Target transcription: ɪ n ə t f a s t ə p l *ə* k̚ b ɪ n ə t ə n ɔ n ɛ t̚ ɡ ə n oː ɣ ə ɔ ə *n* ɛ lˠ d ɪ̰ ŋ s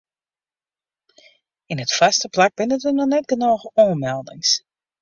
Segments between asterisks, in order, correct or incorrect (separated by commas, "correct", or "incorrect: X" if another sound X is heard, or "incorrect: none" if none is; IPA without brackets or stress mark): incorrect: a, incorrect: m